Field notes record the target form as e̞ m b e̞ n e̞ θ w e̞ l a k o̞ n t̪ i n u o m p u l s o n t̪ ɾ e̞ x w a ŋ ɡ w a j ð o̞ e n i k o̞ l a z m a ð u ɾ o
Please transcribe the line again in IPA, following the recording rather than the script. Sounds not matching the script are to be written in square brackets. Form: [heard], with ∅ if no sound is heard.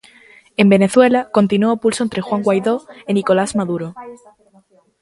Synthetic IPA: e̞ m b e̞ n e̞ θ w e̞ l a k o̞ n t̪ i n u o [∅] p u l s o n t̪ ɾ e̞ x w a ŋ ɡ w a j ð o̞ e n i k o̞ l a z m a ð u ɾ o